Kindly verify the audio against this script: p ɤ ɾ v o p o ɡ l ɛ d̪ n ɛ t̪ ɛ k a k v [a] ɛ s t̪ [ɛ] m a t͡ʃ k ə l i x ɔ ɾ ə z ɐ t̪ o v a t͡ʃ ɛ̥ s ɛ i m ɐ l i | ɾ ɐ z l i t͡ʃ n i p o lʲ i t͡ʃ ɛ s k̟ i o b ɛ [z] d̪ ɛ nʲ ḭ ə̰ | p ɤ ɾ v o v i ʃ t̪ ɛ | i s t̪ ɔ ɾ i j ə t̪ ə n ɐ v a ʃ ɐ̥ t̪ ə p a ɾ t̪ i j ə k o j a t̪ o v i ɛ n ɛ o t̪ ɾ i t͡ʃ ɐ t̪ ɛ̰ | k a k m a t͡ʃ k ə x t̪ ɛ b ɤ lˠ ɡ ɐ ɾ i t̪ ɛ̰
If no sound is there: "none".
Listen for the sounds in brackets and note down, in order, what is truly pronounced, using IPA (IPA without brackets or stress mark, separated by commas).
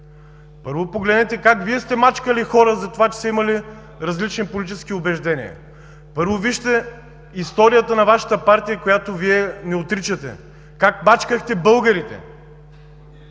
i, ɛ, ʒ